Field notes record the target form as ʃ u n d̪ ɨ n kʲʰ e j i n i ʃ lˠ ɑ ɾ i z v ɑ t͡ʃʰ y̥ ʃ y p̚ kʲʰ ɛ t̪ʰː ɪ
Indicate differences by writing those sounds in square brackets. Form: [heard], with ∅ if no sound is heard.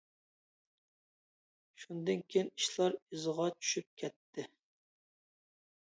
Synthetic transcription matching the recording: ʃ u n d̪ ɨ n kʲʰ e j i n i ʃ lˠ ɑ ɾ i z [ʁ] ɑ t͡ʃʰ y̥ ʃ y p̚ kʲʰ ɛ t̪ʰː ɪ